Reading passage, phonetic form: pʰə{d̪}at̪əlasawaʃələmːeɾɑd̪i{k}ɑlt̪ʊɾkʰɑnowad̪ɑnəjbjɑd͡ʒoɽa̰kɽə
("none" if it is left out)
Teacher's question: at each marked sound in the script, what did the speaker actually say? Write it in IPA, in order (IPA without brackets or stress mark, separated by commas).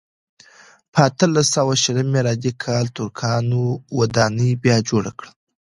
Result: none, kʰ